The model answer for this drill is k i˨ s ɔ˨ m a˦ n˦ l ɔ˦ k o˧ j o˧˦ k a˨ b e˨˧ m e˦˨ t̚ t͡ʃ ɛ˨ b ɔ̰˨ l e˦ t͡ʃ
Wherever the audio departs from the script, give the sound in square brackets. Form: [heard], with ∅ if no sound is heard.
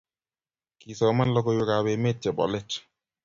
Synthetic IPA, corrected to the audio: k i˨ s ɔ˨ m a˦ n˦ l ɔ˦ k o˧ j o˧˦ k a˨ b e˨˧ m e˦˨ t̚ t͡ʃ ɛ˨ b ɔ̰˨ l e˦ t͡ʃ